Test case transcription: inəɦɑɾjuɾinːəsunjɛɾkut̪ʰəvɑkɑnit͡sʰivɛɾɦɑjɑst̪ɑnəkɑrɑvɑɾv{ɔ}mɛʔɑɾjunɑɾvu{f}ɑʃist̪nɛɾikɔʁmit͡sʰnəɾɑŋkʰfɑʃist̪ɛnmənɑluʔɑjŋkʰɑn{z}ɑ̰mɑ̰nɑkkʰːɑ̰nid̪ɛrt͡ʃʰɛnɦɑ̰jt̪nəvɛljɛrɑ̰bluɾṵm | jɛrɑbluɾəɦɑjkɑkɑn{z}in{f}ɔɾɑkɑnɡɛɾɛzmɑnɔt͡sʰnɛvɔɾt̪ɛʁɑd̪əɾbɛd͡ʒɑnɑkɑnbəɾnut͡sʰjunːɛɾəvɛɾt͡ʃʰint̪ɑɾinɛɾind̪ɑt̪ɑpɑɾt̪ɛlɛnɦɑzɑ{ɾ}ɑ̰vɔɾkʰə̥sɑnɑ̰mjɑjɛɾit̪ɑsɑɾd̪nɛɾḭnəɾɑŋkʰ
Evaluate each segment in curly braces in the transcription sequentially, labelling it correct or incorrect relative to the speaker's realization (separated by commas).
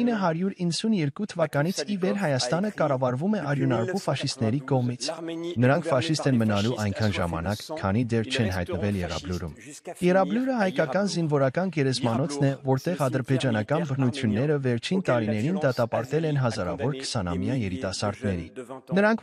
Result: incorrect, correct, incorrect, correct, incorrect, correct